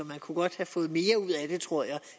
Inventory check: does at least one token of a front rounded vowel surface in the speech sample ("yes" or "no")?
no